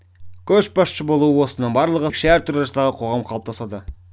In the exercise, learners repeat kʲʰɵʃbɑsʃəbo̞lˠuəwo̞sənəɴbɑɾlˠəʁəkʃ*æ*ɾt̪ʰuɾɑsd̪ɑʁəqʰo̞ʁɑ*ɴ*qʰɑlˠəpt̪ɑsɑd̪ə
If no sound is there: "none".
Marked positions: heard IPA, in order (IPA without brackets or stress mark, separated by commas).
æ, m